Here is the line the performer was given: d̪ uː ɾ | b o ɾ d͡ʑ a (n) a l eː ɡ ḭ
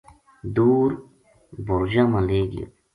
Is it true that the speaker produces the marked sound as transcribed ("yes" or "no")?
no